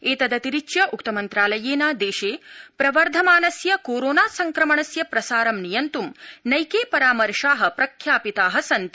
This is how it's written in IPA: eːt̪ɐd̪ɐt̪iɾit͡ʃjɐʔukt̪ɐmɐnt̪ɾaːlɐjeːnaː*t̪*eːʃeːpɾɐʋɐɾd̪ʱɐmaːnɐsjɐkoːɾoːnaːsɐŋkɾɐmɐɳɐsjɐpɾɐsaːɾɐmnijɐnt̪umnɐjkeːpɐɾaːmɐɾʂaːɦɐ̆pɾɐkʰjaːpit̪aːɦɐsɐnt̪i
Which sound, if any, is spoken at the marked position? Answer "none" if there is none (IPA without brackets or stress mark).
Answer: d̪